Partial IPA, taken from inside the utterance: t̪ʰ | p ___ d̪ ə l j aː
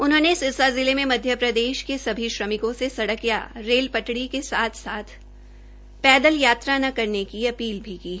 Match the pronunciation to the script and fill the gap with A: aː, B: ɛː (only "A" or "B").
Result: B